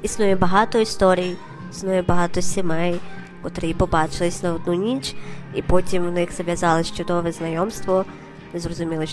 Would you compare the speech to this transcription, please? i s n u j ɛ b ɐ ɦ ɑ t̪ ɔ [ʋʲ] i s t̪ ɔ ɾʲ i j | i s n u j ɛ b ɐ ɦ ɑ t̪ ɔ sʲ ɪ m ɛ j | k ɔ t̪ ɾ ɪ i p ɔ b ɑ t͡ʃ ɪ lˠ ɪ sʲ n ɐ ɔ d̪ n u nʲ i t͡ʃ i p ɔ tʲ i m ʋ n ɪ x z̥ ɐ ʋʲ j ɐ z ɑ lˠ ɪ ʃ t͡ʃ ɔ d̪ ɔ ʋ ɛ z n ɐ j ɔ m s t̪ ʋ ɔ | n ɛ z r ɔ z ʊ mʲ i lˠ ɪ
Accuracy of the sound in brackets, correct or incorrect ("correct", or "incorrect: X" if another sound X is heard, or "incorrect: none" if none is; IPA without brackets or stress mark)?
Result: incorrect: none